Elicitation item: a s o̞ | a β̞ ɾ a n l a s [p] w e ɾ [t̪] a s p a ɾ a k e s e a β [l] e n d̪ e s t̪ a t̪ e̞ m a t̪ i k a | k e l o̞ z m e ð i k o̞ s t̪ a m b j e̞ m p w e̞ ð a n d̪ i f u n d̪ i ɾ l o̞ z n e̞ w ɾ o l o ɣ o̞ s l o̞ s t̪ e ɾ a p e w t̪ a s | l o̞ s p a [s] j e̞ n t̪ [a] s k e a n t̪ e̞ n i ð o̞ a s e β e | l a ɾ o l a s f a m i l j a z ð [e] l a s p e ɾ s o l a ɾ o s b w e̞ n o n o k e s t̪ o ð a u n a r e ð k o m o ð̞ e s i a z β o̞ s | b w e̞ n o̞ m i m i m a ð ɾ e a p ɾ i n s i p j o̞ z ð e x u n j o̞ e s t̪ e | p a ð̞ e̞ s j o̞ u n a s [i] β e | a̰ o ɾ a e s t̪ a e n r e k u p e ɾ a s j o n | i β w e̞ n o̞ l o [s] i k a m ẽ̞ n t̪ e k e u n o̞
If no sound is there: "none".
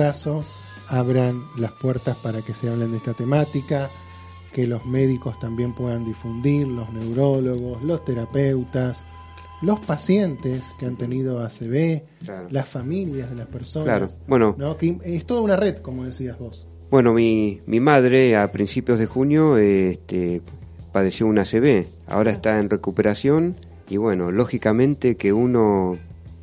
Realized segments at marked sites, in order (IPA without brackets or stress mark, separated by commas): p, t̪, l, s, e, e, e, x